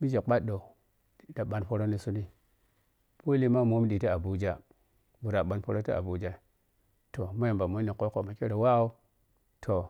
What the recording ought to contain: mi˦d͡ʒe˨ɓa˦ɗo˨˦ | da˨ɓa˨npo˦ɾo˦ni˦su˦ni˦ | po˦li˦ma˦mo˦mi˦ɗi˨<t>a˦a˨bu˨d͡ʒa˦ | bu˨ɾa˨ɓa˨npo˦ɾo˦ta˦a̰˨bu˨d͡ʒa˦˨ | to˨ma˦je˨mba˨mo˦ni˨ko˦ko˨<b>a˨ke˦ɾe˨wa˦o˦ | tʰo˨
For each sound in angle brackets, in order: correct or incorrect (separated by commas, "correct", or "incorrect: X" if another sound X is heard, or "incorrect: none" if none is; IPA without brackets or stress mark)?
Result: correct, incorrect: m